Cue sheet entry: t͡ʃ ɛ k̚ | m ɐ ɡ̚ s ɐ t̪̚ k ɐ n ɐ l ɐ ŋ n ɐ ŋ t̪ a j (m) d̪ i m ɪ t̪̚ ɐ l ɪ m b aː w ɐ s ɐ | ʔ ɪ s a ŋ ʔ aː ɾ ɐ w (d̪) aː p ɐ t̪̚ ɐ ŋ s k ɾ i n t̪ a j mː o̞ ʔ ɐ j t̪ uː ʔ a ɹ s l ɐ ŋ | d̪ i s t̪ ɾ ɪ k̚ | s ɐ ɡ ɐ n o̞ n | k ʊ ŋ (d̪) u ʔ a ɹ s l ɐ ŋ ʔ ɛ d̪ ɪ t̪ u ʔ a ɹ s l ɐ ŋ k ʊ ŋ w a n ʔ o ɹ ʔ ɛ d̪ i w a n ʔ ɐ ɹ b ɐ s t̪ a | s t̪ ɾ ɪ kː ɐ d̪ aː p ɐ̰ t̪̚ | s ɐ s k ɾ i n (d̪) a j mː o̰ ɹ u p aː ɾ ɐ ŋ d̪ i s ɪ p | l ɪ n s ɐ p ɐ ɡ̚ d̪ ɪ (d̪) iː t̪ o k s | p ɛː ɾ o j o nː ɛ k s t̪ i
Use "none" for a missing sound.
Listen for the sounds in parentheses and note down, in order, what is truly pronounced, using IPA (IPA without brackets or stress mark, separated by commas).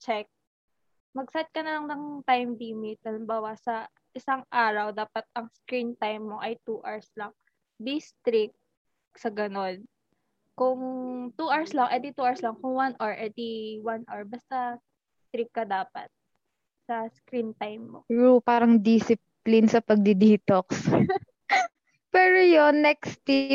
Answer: m, d̪, t̪, t̪, d̪